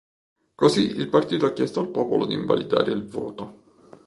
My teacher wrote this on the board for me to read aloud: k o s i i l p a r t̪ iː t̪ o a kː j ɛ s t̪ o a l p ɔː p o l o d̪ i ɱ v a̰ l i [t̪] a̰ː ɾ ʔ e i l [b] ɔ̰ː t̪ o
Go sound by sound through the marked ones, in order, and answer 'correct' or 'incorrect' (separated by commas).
incorrect, incorrect